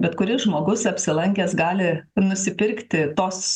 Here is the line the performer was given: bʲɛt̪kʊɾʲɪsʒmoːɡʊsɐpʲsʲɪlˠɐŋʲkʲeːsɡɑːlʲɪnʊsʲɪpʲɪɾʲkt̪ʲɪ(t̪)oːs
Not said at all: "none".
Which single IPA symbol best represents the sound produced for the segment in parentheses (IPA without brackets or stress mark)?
t̪